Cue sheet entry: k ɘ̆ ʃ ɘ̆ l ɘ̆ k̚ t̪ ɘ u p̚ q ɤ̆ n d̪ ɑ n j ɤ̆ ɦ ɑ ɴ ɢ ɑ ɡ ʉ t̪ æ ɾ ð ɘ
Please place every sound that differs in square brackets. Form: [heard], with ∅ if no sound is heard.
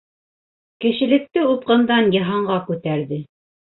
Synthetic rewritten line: k ɘ̆ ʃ ɘ̆ l ɘ̆ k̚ t̪ ɘ u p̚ q ɤ̆ n d̪ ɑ n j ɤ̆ ɦ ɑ ɴ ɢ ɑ [k] ʉ t̪ æ ɾ ð ɘ